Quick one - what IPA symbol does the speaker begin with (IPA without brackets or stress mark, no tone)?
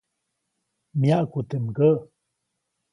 m